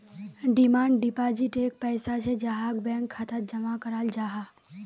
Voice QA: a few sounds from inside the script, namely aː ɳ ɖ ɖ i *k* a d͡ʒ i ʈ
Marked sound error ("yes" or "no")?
yes